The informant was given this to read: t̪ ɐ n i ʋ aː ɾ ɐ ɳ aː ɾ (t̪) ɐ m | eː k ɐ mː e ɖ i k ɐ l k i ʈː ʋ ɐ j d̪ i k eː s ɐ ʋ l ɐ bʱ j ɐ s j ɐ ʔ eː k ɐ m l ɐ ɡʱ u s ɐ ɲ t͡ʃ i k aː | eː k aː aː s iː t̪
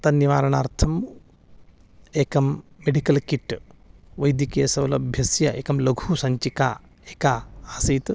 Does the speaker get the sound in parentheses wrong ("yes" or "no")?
yes